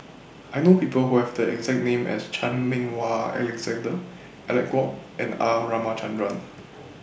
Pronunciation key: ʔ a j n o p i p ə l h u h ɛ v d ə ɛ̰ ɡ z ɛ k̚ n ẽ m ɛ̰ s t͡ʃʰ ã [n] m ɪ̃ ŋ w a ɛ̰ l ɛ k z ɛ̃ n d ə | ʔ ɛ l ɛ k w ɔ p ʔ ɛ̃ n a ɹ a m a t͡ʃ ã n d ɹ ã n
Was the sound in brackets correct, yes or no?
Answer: yes